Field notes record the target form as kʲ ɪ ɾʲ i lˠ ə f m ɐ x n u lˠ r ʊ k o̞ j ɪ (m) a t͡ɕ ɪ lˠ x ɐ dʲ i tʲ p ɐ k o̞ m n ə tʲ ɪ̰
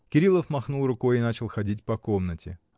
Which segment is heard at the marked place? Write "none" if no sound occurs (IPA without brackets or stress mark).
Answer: n